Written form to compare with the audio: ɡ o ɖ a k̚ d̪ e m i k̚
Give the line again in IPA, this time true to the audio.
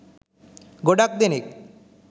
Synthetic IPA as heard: ɡ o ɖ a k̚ d̪ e n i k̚